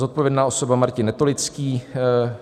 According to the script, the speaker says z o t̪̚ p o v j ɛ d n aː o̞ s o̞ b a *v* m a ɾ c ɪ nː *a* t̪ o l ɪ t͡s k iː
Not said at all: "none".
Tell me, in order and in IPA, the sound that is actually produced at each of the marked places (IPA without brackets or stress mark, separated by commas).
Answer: none, ɛ